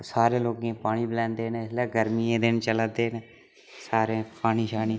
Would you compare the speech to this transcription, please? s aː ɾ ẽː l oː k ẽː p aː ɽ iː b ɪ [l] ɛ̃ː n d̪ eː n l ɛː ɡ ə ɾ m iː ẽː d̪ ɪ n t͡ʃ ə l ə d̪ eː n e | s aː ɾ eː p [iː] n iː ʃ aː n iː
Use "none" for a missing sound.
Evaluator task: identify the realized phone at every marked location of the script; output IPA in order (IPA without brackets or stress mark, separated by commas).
l, aː